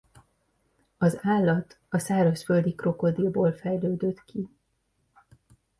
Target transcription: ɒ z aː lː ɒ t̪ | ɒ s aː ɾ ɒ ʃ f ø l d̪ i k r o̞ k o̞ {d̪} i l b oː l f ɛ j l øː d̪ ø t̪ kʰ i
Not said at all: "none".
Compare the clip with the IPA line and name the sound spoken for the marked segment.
d̪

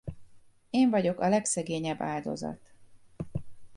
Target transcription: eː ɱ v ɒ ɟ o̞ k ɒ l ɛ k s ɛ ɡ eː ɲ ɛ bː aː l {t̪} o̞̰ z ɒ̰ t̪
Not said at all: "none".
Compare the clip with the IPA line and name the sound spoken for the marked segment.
d̪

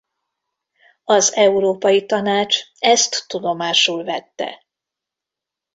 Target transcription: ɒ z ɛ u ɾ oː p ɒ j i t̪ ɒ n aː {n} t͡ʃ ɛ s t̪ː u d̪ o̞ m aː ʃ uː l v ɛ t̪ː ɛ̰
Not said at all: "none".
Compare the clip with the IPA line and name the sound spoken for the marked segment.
none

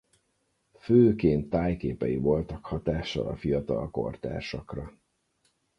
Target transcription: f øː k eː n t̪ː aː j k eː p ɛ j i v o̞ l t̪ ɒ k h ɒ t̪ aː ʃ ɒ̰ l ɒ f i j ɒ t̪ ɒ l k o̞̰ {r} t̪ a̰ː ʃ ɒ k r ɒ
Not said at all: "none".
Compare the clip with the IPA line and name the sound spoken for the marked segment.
r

